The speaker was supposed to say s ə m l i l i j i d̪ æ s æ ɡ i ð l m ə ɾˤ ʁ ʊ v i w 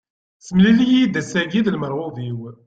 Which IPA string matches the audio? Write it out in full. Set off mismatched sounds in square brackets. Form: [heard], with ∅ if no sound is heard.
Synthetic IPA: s ə m l i l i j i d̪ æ s æ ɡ i ð l m ə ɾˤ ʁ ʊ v i w